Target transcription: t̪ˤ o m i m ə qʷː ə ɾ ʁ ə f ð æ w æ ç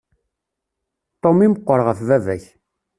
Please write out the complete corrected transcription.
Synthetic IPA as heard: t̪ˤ o m i m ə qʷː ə ɾ ʁ ə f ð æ v æ ç